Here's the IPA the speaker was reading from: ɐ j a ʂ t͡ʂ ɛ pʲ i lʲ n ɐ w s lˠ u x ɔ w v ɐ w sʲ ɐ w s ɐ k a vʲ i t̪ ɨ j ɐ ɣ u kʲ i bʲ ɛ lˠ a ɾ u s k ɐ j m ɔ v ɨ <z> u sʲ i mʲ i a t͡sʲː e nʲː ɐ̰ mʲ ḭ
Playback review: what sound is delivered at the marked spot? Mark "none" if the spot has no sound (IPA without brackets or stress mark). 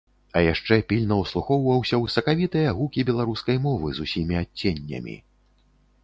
z